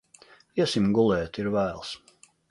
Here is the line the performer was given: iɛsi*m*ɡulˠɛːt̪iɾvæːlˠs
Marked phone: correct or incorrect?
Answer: correct